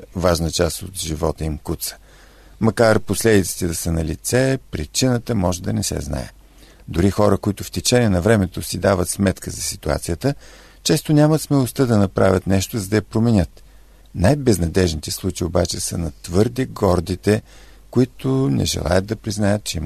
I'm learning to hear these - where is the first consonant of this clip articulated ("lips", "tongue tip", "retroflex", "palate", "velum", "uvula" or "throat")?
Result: lips